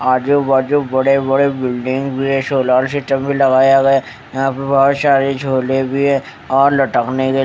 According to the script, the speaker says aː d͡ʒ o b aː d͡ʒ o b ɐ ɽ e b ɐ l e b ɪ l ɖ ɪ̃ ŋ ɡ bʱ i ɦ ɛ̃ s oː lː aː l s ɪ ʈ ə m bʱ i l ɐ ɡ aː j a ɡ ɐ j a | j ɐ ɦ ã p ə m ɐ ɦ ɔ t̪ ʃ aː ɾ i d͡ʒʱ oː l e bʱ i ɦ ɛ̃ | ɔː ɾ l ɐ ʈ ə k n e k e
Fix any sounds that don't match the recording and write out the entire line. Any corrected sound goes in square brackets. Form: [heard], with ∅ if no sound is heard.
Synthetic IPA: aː d͡ʒ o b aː d͡ʒ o b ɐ ɽ e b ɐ [ɽ] e b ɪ l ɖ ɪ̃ ŋ ɡ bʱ i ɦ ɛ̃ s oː [l] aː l s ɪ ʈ ə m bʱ i l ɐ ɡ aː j a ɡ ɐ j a | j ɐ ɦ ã p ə [b] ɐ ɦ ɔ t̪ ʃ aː ɾ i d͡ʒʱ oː l e bʱ i ɦ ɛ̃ | ɔː ɾ l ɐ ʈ ə k n e k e

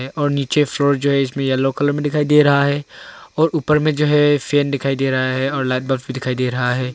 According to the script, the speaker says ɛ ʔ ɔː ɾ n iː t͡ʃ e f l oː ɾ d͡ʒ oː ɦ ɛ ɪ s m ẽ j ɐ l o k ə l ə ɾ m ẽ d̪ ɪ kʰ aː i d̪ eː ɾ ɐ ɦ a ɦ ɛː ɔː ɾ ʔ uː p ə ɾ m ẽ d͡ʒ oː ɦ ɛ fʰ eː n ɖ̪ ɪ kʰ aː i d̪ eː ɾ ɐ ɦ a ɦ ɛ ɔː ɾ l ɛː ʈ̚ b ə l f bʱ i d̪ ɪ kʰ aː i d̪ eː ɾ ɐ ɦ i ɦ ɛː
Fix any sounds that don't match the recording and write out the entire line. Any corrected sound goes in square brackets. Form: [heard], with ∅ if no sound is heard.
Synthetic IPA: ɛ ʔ ɔː ɾ n iː t͡ʃ e f l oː ɾ d͡ʒ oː ɦ ɛ ɪ s m ẽ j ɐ l o k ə l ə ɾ m ẽ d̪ ɪ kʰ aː i d̪ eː ɾ ɐ ɦ a ɦ ɛː ɔː ɾ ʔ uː p ə ɾ m ẽ d͡ʒ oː ɦ ɛ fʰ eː n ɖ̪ ɪ kʰ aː i d̪ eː ɾ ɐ ɦ a ɦ ɛ ɔː ɾ l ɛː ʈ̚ b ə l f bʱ i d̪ ɪ kʰ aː i d̪ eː ɾ ɐ ɦ [a] ɦ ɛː

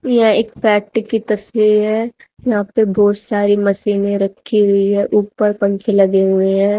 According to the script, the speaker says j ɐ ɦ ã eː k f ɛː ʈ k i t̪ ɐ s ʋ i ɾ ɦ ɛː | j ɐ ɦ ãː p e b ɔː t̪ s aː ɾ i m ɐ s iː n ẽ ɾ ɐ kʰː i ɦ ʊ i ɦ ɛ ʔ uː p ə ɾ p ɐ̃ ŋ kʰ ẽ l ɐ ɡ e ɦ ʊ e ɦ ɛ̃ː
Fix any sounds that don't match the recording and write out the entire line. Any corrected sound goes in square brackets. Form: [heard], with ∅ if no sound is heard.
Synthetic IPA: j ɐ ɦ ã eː k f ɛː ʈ k i t̪ ɐ s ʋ i ɾ ɦ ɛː | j ɐ ɦ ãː p e b ɔː t̪ s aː ɾ i m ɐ s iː n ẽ ɾ ɐ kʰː i ɦ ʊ i ɦ ɛ ʔ uː p ə ɾ p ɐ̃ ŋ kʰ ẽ l ɐ ɡ e ɦ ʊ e ɦ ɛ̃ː

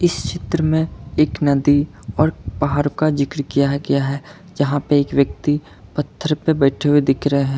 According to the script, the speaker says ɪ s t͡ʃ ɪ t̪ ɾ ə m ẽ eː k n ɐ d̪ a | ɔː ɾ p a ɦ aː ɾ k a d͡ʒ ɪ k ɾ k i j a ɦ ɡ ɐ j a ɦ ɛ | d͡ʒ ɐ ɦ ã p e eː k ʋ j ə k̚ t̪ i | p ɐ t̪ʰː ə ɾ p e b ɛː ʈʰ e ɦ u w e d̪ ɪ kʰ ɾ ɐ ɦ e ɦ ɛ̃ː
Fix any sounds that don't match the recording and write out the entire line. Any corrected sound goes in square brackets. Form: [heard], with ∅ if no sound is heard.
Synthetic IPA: ɪ s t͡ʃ ɪ t̪ ɾ ə m ẽ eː k n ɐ d̪ [i] | ɔː ɾ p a ɦ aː ɾ k a d͡ʒ ɪ k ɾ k i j a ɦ ɡ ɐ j a ɦ ɛ | d͡ʒ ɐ ɦ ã p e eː k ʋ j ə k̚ t̪ i | p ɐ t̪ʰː ə ɾ p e b ɛː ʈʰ e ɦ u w e d̪ ɪ kʰ ɾ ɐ ɦ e ɦ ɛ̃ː

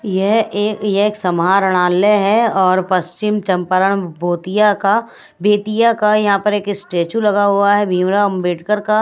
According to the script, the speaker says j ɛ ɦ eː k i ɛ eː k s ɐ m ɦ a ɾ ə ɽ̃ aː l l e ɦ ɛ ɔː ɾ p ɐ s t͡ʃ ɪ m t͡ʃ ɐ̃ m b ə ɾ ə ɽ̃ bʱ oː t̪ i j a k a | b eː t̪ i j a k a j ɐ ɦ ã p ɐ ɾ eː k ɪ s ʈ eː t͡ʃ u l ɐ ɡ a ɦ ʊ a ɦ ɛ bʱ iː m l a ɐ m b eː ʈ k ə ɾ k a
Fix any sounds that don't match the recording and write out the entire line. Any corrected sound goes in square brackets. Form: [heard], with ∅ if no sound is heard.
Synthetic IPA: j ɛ ɦ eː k [j] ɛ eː k s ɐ m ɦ a ɾ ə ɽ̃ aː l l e ɦ ɛ ɔː ɾ p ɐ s t͡ʃ ɪ m t͡ʃ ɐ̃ m [p] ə ɾ ə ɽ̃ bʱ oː t̪ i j a k a | b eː t̪ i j a k a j ɐ ɦ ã p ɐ ɾ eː k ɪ s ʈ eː t͡ʃ u l ɐ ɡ a ɦ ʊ a ɦ ɛ bʱ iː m [ɾ] a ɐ m b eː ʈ k ə ɾ k a

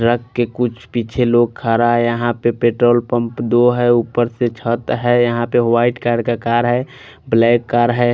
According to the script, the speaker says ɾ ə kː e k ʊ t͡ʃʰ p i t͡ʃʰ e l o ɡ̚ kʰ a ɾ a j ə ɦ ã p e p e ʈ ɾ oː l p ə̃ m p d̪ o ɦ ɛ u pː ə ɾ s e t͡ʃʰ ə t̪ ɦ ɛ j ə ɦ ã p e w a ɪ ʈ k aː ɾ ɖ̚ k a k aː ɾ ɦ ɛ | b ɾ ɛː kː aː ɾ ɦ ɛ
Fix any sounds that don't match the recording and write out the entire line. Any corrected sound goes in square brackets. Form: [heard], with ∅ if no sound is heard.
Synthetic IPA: ɾ ə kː e k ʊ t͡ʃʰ p i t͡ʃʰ e l o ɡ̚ kʰ a ɾ a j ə ɦ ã p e p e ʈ ɾ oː l p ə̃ m p d̪ o ɦ ɛ u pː ə ɾ s e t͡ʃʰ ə t̪ ɦ ɛ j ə ɦ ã p e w a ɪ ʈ k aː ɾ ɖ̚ k a k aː ɾ ɦ ɛ | b [l] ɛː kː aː ɾ ɦ ɛ

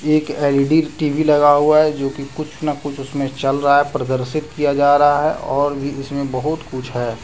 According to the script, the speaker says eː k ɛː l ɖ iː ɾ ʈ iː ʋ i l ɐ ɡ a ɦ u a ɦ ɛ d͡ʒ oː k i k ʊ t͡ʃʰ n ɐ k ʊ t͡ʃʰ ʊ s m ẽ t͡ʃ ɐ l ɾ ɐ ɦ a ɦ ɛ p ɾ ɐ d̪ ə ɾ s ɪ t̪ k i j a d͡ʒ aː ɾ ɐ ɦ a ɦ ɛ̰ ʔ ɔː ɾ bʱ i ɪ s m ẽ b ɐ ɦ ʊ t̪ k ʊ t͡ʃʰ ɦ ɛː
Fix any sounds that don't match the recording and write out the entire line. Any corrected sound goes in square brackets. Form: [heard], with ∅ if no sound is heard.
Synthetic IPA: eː k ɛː l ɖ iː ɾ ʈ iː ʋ i l ɐ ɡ a ɦ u a ɦ ɛ d͡ʒ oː k i k ʊ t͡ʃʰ n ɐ k ʊ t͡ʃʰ ʊ s m ẽ t͡ʃ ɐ l ɾ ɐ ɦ a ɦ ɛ p ɾ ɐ d̪ ə ɾ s ɪ t̪ k i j a d͡ʒ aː ɾ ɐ ɦ a ɦ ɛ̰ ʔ ɔː ɾ bʱ i ɪ s m ẽ b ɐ ɦ ʊ t̪ k ʊ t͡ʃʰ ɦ ɛː

